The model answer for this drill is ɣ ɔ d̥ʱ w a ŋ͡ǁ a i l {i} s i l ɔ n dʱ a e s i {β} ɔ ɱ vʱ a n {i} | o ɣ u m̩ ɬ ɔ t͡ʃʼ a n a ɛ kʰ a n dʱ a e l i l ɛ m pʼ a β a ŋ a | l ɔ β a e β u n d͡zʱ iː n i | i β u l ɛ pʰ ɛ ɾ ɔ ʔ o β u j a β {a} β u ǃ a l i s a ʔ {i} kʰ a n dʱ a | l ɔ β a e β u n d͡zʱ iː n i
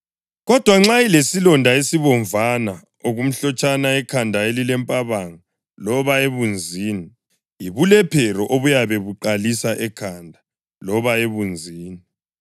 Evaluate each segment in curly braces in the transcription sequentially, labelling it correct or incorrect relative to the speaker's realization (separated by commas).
incorrect, correct, incorrect, incorrect, incorrect